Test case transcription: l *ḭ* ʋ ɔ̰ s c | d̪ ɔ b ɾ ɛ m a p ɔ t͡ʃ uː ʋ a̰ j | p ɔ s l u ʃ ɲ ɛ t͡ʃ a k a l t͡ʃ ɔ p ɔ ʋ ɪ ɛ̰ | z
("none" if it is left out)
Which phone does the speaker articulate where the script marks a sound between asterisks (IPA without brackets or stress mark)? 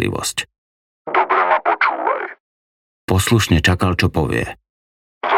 ḭ